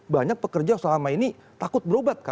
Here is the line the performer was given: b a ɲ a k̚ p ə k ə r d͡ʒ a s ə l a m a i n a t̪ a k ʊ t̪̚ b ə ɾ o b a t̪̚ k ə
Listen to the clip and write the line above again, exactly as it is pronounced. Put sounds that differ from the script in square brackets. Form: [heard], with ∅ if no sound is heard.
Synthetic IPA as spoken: b a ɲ a k̚ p ə k ə r d͡ʒ a s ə l a m a i n [i] t̪ a k ʊ t̪̚ b ə ɾ o b a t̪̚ k [a]